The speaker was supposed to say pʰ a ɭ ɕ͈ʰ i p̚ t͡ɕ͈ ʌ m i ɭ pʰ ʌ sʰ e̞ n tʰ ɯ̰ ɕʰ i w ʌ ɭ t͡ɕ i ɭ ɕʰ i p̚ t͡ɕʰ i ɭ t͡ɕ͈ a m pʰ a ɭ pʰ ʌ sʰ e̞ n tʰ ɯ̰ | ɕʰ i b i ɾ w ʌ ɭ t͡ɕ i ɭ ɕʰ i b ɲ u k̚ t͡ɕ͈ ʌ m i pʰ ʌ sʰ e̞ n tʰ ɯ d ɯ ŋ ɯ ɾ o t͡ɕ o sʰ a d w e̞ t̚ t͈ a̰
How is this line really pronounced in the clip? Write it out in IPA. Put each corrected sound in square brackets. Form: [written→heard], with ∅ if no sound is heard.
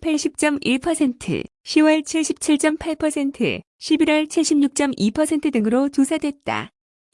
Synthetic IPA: pʰ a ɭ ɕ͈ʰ i p̚ t͡ɕ͈ ʌ m i ɭ pʰ ʌ sʰ e̞ n tʰ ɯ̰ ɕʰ i w ʌ ɭ [t͡ɕ→t͡ɕʰ] i ɭ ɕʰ i p̚ t͡ɕʰ i ɭ t͡ɕ͈ [a→ʌ] m pʰ a ɭ pʰ ʌ sʰ e̞ n tʰ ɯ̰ | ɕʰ i b i ɾ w ʌ ɭ [t͡ɕ→t͡ɕʰ] i ɭ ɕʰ i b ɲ u k̚ t͡ɕ͈ ʌ m i pʰ ʌ sʰ e̞ n tʰ ɯ d ɯ ŋ ɯ ɾ o t͡ɕ o sʰ a d w e̞ t̚ t͈ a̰